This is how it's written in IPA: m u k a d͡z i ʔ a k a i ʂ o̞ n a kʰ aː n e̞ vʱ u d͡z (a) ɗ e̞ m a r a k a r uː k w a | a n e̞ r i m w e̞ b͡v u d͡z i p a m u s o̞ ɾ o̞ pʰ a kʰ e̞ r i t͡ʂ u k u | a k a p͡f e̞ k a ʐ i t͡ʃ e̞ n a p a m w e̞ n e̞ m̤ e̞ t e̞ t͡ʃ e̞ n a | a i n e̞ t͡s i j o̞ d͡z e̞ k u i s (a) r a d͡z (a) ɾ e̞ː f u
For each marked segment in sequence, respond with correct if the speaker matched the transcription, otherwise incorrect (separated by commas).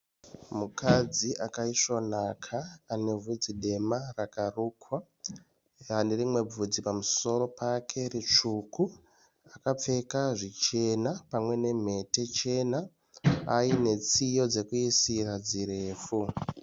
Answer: incorrect, incorrect, incorrect